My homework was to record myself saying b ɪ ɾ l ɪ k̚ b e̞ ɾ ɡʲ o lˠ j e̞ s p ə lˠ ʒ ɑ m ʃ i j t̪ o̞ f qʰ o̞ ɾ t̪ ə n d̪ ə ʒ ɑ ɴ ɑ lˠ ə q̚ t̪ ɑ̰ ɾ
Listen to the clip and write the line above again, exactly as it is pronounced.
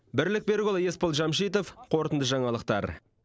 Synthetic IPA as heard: b ɪ ɾ l ɪ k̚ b e̞ ɾ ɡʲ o lˠ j e̞ s p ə lˠ ʒ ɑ m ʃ i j t̪ o̞ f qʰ o̞ ɾ t̪ ə n d̪ ə ʒ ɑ ɴ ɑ lˠ ə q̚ t̪ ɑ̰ ɾ